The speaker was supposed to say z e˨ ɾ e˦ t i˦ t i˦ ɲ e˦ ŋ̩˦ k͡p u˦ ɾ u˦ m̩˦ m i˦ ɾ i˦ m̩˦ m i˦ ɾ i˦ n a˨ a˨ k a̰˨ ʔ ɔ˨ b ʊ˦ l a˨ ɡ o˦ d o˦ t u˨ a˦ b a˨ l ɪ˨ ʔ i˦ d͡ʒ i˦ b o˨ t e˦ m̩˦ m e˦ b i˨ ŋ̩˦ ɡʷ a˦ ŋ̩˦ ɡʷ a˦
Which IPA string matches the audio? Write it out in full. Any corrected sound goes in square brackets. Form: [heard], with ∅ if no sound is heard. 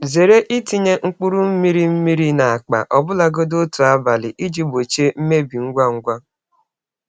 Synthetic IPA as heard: z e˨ ɾ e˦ [ʔ] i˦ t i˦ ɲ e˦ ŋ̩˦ k͡p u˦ ɾ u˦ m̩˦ m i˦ ɾ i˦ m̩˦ m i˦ ɾ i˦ n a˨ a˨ [k͡p] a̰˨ ʔ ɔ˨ b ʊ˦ l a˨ ɡ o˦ d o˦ t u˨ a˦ b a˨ l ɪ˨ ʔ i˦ d͡ʒ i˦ b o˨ [t͡ʃ] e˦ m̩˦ m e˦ b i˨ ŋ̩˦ ɡʷ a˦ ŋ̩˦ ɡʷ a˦